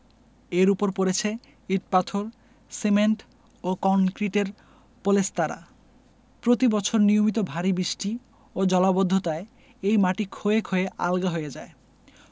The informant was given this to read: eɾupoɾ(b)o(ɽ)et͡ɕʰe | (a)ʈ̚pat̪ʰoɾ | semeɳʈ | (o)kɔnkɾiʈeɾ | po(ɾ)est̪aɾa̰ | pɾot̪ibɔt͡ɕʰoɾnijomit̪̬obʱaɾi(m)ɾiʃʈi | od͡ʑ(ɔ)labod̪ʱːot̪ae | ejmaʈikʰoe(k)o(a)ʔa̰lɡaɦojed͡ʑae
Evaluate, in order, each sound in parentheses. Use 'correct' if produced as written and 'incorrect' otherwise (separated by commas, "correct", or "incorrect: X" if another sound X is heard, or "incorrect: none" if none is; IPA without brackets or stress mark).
incorrect: p, incorrect: ɾ, incorrect: i, correct, incorrect: l, incorrect: b, correct, incorrect: kʰ, incorrect: e